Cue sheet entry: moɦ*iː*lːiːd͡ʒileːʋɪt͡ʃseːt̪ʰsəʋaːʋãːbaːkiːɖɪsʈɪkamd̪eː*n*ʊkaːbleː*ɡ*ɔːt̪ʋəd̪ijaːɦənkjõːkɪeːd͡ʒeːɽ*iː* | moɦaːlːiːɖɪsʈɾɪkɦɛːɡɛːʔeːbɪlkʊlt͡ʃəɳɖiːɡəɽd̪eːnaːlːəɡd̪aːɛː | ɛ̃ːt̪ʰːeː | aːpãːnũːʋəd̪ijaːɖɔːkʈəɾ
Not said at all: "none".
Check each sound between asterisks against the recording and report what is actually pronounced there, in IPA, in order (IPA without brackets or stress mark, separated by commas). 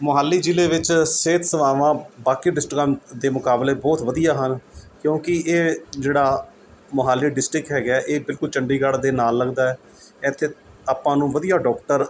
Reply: aː, m, b, aː